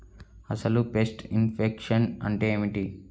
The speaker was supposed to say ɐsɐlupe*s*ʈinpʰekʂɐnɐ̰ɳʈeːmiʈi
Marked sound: correct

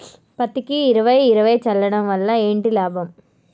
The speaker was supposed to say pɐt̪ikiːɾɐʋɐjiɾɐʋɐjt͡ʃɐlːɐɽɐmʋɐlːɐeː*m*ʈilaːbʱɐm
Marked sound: incorrect: ɳ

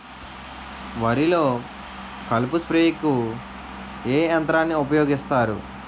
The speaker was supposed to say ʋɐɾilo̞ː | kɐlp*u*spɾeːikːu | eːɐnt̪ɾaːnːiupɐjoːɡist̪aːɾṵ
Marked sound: correct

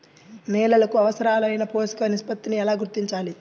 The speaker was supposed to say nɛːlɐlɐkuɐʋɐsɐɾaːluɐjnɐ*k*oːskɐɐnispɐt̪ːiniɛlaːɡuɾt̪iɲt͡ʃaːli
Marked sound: incorrect: p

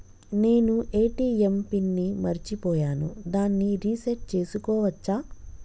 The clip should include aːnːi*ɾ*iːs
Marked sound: correct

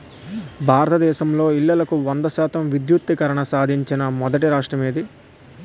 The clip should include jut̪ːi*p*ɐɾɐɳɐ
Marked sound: incorrect: k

